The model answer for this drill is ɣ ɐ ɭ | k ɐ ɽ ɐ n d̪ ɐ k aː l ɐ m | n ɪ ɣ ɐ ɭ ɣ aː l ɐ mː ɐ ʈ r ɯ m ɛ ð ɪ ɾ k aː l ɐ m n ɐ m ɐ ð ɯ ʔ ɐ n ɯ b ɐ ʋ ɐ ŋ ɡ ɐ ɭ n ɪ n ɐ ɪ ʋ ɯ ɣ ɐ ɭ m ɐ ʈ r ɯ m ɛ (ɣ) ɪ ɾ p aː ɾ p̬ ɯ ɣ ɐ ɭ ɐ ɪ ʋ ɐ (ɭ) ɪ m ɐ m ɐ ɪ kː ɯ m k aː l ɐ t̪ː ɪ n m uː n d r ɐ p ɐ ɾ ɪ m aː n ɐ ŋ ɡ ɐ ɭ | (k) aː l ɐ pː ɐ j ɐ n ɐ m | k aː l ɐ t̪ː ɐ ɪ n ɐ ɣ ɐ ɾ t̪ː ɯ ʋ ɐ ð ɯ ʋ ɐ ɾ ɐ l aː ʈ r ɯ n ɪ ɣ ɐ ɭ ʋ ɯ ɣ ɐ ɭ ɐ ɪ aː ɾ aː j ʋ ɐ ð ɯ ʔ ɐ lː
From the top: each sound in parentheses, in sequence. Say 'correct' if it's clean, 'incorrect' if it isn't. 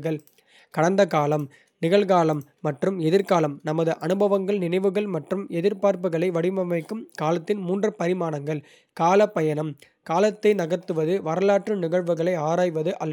incorrect, incorrect, correct

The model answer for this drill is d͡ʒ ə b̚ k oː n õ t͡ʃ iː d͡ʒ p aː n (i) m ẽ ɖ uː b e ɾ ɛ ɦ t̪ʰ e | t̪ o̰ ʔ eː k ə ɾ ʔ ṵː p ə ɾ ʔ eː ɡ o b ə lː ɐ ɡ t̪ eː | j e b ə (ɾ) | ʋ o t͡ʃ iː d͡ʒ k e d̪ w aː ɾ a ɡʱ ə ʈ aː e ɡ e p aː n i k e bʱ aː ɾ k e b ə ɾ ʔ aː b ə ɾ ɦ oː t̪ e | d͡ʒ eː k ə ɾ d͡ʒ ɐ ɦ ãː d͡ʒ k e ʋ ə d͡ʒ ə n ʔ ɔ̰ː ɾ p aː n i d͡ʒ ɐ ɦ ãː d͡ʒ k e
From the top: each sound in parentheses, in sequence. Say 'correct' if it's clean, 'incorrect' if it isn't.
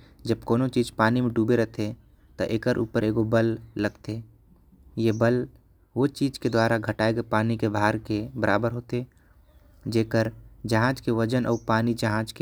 correct, incorrect

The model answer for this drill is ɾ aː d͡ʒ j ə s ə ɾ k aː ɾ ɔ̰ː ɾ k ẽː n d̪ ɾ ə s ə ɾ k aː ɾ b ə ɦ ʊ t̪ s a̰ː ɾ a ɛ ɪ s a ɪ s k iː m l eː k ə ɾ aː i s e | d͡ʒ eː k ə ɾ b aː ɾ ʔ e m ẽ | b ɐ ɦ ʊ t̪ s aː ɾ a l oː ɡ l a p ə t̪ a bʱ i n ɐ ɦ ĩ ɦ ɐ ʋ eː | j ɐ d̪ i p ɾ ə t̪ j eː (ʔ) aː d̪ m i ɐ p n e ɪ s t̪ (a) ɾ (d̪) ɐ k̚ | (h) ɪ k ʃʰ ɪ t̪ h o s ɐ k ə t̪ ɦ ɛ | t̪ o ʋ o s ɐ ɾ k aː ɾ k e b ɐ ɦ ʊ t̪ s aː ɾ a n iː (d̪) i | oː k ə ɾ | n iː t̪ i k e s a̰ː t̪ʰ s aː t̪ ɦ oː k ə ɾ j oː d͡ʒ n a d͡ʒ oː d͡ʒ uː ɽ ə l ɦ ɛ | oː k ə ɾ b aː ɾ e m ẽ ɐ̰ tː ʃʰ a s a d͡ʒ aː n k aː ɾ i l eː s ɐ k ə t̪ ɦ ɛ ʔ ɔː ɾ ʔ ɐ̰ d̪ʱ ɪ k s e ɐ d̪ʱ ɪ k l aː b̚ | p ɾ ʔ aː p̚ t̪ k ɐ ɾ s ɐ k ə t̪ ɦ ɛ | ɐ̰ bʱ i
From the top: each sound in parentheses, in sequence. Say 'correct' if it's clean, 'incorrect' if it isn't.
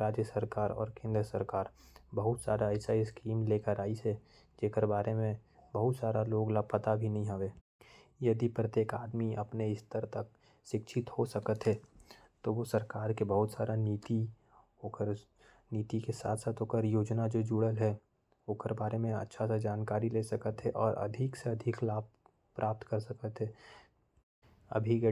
incorrect, incorrect, incorrect, incorrect, incorrect

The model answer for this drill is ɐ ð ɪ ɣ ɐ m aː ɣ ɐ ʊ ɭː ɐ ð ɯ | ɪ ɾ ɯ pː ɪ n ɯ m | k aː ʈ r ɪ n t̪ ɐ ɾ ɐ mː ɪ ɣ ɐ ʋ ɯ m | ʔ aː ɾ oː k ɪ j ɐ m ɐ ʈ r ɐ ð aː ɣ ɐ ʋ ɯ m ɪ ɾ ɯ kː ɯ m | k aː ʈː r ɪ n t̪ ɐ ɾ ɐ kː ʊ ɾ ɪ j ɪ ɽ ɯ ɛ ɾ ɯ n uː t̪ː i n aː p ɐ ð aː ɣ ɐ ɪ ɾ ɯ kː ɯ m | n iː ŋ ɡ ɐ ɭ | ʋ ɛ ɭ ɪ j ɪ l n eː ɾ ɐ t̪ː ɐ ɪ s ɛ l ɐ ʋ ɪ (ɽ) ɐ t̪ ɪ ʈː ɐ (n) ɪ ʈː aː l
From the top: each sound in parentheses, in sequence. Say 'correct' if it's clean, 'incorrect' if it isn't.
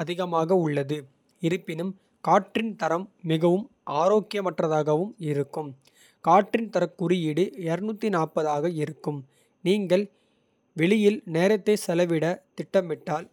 correct, incorrect

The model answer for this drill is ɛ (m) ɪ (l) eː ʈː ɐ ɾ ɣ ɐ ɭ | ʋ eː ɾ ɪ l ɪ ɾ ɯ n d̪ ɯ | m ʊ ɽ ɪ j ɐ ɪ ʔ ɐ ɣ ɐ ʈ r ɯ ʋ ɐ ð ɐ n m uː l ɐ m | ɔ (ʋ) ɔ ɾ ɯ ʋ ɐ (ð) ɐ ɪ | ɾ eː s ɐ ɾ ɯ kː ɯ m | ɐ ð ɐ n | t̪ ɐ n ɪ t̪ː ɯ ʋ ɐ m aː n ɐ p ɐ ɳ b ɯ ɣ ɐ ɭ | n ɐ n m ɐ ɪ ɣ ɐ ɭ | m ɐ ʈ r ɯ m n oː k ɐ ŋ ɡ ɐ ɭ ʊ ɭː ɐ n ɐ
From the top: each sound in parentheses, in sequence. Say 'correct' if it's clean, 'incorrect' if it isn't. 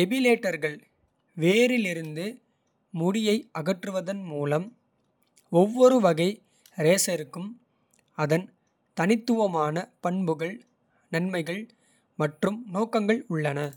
incorrect, correct, incorrect, incorrect

